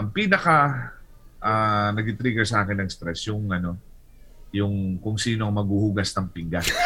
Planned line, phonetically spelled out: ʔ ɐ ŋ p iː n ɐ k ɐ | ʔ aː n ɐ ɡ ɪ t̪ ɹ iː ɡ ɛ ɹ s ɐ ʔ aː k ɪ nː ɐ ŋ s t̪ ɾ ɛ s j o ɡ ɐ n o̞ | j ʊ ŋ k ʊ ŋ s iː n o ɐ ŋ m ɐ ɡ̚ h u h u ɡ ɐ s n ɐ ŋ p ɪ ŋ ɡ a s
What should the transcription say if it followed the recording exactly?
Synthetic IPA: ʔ ɐ ŋ p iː n ɐ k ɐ | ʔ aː n ɐ ɡ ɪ t̪ ɾ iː ɡ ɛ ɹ s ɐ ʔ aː k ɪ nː ɐ ŋ s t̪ ɾ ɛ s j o ŋ ɐ n o̞ | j ʊ ŋ k ʊ ŋ s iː n o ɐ ŋ m ɐ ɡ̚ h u h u ɡ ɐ s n ɐ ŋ p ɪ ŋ ɡ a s